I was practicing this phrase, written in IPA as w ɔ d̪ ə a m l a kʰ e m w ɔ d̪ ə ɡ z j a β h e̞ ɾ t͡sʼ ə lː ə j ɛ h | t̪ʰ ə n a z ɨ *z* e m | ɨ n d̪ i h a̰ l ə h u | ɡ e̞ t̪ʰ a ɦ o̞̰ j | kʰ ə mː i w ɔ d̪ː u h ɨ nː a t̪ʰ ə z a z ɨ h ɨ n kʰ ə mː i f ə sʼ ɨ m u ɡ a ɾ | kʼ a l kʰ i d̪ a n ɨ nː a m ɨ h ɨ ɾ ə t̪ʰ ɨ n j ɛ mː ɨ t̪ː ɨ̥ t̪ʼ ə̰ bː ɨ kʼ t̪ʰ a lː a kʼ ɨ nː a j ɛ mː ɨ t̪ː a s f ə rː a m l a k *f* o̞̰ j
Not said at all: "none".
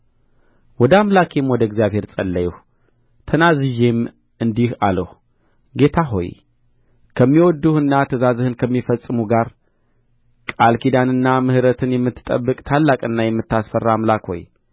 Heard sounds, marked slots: ʒ, h

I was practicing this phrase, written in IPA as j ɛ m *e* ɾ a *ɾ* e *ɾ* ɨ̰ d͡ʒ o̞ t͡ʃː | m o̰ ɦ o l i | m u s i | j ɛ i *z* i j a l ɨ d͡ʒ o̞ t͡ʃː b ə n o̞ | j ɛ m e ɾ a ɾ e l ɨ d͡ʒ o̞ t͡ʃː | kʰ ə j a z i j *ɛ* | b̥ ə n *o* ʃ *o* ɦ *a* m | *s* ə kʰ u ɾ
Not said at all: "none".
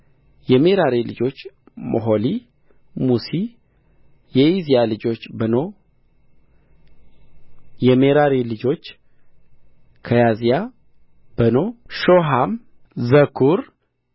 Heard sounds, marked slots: e, ɾ, l, z, a, o, o, a, z

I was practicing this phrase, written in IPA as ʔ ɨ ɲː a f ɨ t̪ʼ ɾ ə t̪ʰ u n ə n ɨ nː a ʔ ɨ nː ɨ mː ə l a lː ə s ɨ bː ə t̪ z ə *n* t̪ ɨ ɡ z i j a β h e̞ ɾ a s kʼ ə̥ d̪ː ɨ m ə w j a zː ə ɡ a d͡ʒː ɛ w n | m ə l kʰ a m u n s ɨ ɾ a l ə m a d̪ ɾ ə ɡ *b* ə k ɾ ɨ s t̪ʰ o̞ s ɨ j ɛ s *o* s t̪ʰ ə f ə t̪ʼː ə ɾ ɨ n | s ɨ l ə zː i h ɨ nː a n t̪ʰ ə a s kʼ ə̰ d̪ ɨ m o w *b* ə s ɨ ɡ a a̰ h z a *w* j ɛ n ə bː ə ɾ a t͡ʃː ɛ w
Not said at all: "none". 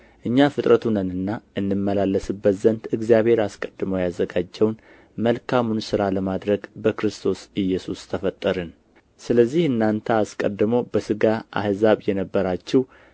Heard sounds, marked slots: n, b, u, b, β

